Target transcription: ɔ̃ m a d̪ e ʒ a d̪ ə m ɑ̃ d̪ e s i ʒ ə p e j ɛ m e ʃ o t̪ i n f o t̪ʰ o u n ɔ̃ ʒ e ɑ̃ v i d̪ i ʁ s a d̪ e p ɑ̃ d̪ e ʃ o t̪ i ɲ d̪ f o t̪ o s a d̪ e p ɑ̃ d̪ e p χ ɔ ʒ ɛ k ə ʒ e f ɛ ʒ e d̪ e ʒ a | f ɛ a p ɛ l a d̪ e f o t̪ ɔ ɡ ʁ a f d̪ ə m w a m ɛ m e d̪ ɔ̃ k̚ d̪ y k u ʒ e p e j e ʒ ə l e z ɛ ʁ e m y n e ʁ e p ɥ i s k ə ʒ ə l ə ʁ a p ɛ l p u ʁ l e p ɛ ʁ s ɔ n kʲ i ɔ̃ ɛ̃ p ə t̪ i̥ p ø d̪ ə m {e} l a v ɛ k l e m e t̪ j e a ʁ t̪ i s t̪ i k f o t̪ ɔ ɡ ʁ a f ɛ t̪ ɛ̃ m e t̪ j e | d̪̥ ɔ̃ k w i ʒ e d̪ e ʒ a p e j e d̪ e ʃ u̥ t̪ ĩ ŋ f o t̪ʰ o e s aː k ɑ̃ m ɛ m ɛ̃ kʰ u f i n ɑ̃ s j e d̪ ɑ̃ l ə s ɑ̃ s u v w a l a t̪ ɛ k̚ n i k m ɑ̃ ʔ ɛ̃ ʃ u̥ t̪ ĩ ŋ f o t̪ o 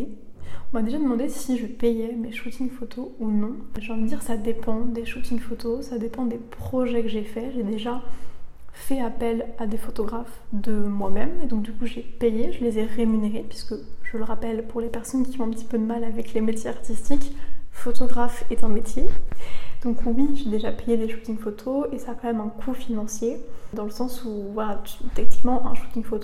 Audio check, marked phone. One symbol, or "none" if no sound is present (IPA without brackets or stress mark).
a